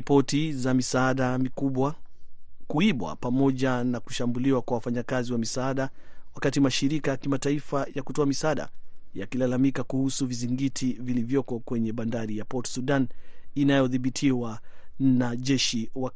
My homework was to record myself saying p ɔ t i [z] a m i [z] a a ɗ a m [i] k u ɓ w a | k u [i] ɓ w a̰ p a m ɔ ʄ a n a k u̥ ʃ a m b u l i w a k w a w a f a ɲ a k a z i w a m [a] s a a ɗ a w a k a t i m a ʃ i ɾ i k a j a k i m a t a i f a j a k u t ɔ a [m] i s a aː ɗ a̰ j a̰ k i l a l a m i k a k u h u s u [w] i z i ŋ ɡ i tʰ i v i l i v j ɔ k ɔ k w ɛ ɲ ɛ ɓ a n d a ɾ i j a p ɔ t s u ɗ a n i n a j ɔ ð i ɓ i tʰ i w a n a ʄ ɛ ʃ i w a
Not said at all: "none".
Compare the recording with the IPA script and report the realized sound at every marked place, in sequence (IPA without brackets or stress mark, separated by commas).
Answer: z, s, i, i, i, m, v